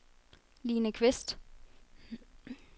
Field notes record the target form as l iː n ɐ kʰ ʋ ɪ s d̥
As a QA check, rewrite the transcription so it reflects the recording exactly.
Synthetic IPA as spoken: l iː n ə kʰ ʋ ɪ s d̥